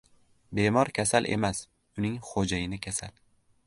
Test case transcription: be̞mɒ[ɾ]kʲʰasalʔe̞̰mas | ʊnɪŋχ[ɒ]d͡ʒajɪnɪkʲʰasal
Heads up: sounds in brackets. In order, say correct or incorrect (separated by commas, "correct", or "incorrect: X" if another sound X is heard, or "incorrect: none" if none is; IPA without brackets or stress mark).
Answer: correct, incorrect: o